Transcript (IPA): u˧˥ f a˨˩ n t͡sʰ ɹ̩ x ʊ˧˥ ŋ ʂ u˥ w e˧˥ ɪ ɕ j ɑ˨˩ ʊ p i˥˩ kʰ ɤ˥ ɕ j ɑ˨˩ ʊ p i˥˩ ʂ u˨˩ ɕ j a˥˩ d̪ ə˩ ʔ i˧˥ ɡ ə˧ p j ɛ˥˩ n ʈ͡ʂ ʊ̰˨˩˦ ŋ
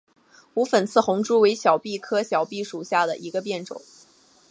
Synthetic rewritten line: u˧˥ f ə˨˩ n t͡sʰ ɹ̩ x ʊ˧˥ ŋ ʈ͡ʂ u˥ w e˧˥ ɪ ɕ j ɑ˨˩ ʊ p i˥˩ kʰ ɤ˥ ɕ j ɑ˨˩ ʊ p i˥˩ ʂ u˨˩ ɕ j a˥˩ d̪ ə˩ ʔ i˧˥ ɡ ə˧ p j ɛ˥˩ n ʈ͡ʂ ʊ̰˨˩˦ ŋ